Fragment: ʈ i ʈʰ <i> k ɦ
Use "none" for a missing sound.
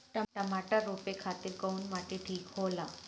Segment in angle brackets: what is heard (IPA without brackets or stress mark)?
iː